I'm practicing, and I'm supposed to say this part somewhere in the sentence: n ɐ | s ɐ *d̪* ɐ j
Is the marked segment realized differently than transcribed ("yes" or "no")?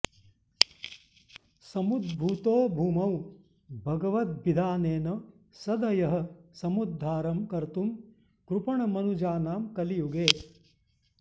no